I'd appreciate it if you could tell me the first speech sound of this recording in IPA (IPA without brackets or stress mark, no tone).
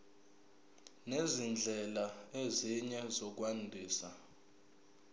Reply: n